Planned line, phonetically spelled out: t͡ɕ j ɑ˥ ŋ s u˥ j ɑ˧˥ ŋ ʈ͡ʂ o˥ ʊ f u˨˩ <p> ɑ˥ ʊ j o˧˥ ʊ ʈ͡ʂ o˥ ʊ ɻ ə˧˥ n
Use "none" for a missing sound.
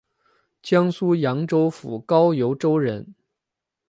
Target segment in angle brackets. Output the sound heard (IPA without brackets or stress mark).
k